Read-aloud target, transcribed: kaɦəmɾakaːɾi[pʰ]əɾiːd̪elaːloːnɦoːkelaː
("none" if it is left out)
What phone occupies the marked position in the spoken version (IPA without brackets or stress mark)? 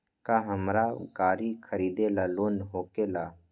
kʰ